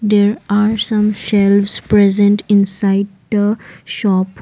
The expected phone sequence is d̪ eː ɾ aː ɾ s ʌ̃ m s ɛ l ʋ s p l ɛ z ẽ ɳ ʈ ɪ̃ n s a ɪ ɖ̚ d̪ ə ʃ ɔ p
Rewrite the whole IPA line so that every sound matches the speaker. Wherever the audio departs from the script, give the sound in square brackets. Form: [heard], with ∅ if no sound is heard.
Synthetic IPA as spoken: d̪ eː ɾ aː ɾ s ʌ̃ m [ʃ] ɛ l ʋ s p [ɾ] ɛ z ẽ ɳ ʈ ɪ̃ n s a ɪ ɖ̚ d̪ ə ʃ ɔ p